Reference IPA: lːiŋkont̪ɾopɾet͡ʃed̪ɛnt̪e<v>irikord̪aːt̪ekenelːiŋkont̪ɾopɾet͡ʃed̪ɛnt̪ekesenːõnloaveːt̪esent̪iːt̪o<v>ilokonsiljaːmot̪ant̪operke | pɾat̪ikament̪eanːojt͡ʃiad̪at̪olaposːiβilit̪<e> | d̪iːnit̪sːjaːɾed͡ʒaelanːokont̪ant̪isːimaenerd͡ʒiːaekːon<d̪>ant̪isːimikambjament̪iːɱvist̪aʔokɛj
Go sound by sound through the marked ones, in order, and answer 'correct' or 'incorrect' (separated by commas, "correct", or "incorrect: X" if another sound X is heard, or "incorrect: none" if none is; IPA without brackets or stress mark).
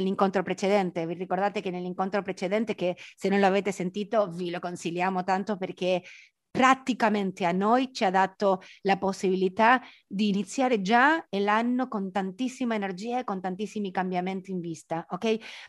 correct, correct, incorrect: a, incorrect: t̪